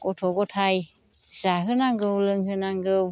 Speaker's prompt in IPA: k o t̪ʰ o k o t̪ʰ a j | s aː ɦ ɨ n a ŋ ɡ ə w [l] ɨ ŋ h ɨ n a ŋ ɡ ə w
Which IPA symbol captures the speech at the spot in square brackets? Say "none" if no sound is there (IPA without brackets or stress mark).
l